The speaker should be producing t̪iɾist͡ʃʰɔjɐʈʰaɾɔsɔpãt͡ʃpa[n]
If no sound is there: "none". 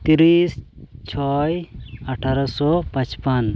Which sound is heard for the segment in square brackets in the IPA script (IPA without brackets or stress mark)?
n